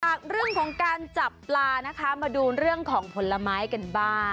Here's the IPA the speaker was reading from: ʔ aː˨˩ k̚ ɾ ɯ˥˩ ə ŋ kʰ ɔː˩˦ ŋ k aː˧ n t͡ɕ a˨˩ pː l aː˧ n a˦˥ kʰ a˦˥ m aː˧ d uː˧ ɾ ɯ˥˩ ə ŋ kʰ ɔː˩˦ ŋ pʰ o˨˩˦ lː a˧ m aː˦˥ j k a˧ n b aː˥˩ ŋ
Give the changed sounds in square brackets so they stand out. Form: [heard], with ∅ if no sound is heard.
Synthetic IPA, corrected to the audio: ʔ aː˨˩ k̚ ɾ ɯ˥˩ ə ŋ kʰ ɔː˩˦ ŋ k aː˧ n t͡ɕ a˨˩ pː l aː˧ n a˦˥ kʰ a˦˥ m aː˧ d uː˧ ɾ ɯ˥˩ ə ŋ kʰ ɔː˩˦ ŋ pʰ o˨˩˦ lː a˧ m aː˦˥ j k a˧ n b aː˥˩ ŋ